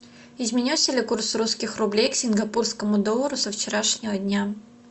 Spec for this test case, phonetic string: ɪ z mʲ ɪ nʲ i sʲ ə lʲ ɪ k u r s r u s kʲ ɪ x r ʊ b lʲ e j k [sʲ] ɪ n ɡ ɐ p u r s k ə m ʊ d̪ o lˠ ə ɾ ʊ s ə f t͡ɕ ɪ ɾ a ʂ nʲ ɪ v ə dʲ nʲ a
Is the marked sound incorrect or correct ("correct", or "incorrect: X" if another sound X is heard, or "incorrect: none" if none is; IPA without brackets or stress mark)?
correct